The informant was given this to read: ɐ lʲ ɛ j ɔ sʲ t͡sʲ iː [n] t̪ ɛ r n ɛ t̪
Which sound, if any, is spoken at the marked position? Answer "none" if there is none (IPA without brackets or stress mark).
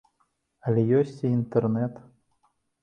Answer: n